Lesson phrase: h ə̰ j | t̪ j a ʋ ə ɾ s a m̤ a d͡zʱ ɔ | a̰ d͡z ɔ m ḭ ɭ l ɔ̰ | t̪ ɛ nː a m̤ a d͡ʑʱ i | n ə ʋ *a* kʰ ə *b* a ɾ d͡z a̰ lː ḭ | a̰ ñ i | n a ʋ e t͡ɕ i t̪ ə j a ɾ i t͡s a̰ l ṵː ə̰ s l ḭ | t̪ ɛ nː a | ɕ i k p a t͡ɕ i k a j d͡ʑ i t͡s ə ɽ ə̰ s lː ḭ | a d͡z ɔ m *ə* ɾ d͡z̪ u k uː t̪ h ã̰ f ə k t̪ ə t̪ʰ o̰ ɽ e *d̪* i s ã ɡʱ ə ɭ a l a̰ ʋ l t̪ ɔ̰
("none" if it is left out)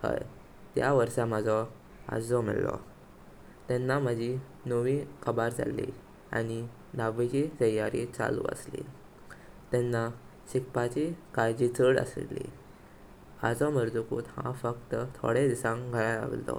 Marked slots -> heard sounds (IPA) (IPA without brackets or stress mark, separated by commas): i, b, ə, d̪